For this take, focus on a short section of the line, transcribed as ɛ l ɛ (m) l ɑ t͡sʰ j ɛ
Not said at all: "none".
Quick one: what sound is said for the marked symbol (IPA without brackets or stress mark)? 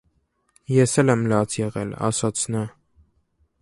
m